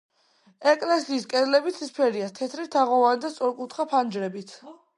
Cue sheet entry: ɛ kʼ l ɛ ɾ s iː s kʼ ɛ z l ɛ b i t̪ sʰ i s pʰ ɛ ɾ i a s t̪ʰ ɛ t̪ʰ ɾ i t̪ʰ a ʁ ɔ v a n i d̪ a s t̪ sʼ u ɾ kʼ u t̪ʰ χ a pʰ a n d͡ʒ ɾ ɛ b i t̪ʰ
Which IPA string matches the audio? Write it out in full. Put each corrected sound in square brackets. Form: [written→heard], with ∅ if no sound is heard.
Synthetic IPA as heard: ɛ kʼ l ɛ [ɾ→∅] s iː s kʼ ɛ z l ɛ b i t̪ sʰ i s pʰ ɛ ɾ i a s t̪ʰ ɛ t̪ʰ ɾ i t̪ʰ a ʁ ɔ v a n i d̪ a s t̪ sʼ [u→ɔ] ɾ kʼ u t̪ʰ χ a pʰ a n d͡ʒ ɾ ɛ b i t̪ʰ